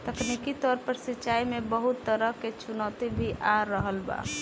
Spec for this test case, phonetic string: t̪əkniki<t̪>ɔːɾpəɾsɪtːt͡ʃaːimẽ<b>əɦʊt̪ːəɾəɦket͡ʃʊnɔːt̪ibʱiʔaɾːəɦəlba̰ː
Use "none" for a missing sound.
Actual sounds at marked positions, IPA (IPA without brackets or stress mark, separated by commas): t̪, b